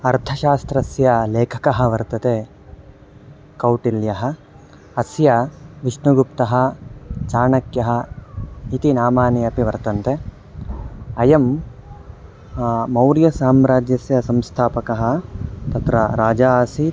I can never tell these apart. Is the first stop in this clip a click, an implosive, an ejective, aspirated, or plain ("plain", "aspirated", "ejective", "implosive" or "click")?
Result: aspirated